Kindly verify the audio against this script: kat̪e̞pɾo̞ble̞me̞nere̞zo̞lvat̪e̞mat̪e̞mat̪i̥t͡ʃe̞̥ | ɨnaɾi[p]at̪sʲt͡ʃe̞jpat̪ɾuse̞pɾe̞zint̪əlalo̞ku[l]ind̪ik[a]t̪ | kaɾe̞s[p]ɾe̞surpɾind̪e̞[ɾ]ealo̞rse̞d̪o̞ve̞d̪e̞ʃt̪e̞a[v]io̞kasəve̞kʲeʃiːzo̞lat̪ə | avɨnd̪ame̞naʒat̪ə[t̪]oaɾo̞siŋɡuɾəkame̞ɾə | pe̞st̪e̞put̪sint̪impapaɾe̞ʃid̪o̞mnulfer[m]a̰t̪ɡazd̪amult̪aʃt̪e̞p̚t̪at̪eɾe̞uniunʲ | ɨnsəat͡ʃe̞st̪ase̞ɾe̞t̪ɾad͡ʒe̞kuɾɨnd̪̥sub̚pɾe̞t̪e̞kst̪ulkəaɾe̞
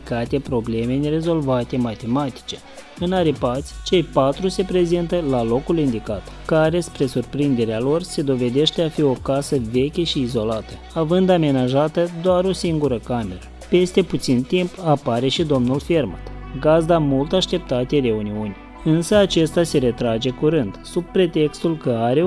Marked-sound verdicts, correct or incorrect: correct, correct, correct, correct, correct, incorrect, incorrect, correct

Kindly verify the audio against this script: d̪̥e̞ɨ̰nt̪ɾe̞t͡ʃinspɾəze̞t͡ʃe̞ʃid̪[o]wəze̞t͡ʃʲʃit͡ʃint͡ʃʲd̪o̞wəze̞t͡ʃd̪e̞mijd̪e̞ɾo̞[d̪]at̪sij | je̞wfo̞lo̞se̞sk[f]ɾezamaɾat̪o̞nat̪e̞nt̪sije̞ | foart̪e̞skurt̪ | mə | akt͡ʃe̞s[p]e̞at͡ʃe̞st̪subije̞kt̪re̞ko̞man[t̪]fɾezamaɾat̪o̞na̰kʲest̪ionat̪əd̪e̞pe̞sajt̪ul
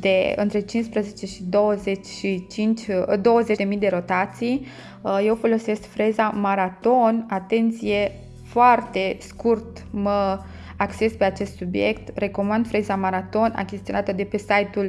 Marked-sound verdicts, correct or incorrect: correct, incorrect, correct, correct, incorrect

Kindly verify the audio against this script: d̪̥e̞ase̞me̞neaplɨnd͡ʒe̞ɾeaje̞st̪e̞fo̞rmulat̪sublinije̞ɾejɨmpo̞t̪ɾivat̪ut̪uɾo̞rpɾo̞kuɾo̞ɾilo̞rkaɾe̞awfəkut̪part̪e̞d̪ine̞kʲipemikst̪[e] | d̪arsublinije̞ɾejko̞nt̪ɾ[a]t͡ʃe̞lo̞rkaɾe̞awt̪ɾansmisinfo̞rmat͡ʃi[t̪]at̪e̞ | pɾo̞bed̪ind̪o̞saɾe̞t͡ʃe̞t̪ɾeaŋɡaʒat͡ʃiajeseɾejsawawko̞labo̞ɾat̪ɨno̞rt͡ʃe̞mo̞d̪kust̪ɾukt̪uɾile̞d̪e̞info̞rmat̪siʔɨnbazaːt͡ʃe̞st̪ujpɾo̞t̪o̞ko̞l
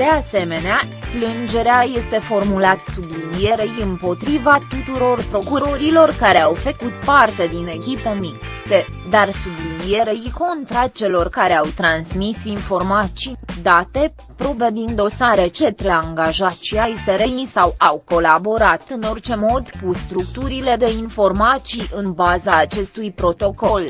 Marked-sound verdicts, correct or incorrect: correct, correct, incorrect

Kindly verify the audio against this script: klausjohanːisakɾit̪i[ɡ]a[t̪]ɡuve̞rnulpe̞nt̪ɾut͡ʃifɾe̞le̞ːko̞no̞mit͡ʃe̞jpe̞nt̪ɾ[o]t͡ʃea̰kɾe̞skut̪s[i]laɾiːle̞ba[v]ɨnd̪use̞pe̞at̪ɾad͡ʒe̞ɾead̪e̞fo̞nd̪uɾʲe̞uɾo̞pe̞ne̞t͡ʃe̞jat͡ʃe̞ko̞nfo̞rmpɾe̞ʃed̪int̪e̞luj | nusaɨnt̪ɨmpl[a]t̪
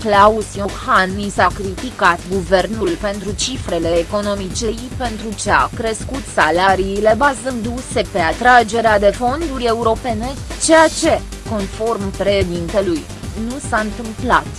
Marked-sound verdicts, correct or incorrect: incorrect, correct, incorrect, incorrect, incorrect, correct

